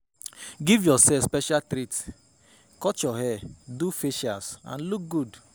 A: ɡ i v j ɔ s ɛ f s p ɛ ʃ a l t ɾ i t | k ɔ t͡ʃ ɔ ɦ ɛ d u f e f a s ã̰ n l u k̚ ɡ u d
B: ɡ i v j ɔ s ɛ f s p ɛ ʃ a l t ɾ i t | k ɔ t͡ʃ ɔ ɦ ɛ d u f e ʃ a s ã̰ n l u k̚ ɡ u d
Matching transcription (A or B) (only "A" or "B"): B